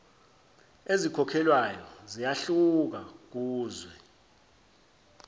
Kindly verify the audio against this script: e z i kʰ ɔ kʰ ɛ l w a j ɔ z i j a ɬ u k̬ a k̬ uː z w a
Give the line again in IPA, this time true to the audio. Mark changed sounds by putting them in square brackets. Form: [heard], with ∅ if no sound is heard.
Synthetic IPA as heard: e z i kʰ ɔ kʰ ɛ l w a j ɔ z i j a ɬ u k̬ a k̬ uː z w [ɛ]